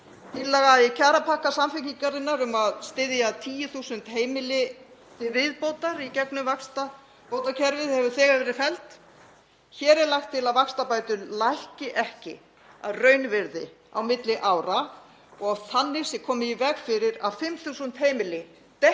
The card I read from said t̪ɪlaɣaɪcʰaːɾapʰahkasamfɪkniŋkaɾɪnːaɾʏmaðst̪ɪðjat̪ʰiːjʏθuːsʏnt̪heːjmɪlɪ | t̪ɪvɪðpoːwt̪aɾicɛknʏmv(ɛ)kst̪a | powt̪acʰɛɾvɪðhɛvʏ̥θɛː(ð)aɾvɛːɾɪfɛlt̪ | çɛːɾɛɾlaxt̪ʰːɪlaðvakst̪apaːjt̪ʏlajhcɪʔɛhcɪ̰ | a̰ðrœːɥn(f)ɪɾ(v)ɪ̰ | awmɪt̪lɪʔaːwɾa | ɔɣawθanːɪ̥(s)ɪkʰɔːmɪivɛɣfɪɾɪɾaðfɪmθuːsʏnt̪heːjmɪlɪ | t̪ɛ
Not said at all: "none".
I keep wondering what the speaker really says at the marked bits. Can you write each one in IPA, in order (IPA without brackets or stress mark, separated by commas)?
a, ɣ, v, ð, s